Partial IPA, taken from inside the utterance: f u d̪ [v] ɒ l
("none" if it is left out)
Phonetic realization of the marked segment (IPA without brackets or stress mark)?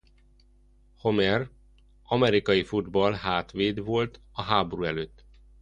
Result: b